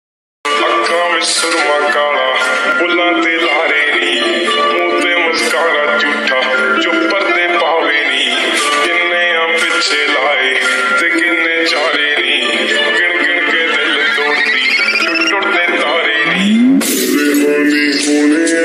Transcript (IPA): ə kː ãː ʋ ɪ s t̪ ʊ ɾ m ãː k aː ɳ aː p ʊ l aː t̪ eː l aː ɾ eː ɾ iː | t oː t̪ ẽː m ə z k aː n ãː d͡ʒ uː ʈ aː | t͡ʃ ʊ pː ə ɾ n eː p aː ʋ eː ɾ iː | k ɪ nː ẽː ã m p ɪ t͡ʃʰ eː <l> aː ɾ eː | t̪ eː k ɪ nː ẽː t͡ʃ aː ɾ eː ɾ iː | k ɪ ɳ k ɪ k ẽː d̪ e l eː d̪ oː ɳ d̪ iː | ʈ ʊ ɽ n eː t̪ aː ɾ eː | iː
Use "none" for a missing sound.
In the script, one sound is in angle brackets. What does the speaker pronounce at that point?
l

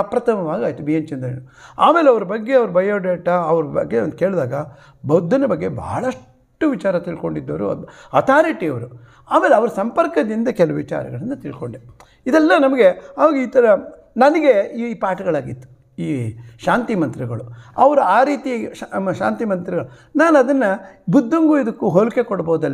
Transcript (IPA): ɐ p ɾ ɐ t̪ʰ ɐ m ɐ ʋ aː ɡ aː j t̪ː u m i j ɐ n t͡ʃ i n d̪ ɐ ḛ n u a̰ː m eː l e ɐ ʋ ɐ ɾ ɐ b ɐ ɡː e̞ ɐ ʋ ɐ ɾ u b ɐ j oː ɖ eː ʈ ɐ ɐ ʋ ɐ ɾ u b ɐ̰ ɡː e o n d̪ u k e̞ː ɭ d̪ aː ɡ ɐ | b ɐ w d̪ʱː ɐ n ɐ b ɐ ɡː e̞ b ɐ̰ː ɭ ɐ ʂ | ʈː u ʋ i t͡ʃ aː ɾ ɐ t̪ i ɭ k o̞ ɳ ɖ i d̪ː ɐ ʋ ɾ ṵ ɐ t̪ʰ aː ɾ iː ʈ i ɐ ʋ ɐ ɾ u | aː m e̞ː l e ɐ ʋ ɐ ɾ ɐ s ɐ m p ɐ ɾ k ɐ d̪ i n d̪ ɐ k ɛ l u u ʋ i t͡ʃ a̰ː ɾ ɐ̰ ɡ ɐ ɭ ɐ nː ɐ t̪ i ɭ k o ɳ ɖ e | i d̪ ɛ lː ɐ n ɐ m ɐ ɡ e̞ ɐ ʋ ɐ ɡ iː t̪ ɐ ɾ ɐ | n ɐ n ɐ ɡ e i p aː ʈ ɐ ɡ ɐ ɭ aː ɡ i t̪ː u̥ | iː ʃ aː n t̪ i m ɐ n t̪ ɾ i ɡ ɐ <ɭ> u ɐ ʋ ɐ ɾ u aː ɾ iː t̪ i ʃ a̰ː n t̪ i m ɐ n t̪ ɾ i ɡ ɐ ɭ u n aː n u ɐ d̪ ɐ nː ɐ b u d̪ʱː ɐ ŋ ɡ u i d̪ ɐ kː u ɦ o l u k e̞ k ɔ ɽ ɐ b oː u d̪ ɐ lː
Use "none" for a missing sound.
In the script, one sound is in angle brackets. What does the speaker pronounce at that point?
ɭ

